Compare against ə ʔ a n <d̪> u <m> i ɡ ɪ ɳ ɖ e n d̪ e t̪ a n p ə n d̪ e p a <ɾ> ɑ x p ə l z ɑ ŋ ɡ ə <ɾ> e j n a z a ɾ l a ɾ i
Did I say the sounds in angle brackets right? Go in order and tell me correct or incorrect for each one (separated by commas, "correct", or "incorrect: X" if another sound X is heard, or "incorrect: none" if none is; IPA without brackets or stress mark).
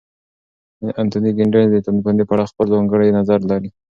incorrect: t̪, incorrect: n, incorrect: ɽ, incorrect: ɽ